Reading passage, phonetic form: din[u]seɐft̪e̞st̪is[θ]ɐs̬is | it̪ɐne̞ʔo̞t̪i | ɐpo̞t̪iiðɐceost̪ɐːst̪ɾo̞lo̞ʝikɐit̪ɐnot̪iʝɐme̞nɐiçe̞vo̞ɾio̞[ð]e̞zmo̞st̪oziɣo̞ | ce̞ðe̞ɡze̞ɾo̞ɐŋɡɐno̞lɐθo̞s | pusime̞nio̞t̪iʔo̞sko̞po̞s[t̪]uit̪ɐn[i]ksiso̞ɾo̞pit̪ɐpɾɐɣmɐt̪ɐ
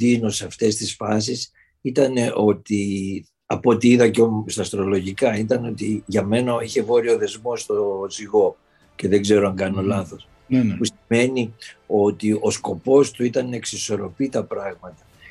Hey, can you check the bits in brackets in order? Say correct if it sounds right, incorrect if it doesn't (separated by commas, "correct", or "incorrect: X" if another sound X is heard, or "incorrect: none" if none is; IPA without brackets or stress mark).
incorrect: o, incorrect: f, correct, correct, incorrect: e